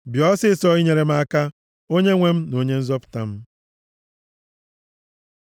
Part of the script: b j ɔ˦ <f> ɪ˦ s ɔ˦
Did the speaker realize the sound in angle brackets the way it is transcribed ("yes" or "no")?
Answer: no